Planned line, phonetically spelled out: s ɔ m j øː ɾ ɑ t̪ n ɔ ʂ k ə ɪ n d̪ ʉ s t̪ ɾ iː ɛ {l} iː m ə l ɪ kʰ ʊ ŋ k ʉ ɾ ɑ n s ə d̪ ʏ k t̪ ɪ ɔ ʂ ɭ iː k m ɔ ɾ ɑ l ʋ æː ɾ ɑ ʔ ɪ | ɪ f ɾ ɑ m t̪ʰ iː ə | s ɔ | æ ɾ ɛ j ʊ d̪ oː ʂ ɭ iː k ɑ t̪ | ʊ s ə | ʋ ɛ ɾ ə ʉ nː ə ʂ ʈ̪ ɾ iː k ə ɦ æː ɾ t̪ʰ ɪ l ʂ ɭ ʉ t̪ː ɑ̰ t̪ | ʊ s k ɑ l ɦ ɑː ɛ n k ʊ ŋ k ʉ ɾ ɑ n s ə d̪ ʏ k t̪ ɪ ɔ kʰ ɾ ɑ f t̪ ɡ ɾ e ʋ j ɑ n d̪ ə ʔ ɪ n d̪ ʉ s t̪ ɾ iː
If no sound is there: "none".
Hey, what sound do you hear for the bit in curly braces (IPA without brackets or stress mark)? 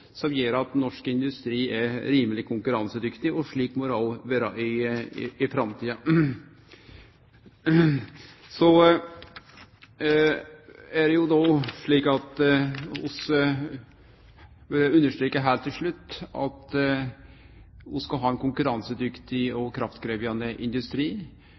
ɾ